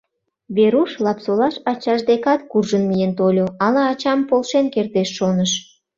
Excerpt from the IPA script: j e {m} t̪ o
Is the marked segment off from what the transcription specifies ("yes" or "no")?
yes